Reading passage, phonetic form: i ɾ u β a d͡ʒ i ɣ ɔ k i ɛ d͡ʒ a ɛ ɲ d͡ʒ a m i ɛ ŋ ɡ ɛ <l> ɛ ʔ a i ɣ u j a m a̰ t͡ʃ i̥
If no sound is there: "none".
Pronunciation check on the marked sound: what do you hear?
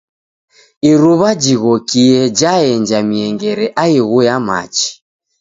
ɾ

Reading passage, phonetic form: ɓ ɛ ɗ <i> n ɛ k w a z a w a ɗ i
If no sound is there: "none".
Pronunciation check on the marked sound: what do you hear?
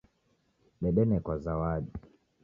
ɛ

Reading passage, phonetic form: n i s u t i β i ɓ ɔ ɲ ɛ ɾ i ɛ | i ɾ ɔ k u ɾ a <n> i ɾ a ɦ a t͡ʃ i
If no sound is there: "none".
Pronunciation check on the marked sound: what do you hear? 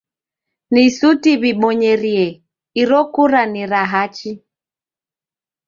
n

